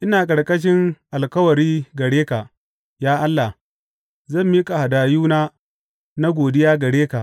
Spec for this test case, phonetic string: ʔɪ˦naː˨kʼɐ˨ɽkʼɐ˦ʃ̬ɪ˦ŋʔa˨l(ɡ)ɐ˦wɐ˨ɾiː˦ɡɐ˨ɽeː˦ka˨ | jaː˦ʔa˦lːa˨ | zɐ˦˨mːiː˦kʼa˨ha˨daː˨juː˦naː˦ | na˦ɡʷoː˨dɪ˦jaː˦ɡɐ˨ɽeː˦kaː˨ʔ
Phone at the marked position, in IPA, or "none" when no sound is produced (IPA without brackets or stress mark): k